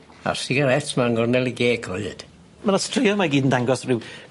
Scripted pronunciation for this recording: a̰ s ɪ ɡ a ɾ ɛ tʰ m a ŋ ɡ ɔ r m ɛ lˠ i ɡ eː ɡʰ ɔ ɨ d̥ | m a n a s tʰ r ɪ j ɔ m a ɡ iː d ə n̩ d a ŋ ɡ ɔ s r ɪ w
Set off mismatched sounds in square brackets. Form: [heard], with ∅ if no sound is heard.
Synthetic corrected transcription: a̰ s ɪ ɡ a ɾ ɛ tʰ m a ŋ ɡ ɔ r [n] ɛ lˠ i ɡ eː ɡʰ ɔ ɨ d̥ | m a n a s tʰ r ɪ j ɔ m a ɡ iː d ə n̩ d a ŋ ɡ ɔ s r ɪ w